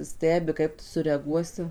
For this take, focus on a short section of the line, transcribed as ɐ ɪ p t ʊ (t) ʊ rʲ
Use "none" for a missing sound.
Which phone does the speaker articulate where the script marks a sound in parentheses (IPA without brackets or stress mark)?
s